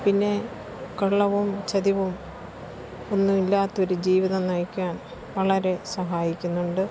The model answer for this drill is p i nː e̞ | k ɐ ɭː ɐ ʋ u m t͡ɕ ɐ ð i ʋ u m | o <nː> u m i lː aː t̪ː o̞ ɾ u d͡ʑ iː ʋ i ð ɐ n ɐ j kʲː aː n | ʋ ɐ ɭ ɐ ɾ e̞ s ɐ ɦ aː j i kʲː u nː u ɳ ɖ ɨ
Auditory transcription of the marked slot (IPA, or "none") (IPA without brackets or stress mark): nː